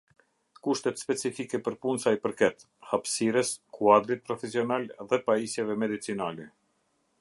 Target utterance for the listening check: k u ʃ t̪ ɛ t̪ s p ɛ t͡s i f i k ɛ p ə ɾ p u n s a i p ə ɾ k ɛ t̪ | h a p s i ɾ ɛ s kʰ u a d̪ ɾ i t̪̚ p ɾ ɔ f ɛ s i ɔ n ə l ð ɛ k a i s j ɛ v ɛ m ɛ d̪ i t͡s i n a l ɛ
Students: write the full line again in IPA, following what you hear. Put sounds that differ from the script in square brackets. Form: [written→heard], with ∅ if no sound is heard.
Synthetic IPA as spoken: k u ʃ t̪ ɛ t̪ s p ɛ t͡s i f i k ɛ p ə ɾ p u n s a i p ə ɾ k ɛ t̪ | h a p s i ɾ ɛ s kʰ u a d̪ ɾ i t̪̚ p ɾ ɔ f ɛ s i ɔ n [ə→a] l ð ɛ [k→p] a i s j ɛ v ɛ m ɛ d̪ i t͡s i n a l ɛ

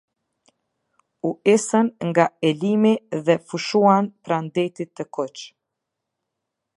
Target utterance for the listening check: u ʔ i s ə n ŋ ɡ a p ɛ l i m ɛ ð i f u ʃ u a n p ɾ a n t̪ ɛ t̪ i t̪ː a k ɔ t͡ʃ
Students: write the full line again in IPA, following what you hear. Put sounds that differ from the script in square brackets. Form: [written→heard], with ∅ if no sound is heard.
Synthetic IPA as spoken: u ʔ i s ə n ŋ ɡ a [p→∅] ɛ l i m [ɛ→i] ð [i→ɛ] f u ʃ u a n p ɾ a n [t̪→d̪] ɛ t̪ i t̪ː [a→ə] k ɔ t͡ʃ

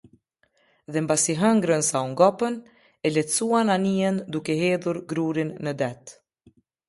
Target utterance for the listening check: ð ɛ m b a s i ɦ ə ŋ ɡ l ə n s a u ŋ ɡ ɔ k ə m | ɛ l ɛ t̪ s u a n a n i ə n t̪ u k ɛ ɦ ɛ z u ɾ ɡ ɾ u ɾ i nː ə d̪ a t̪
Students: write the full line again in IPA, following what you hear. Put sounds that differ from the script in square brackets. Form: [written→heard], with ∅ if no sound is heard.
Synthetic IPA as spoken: ð ɛ m b a s i ɦ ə ŋ ɡ [l→ɾ] ə n s a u ŋ ɡ ɔ [k→p] ə [m→n] | ɛ l ɛ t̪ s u a n a n i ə n [t̪→d̪] u k ɛ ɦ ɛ [z→ð] u ɾ ɡ ɾ u ɾ i nː ə d̪ [a→ɛ] t̪

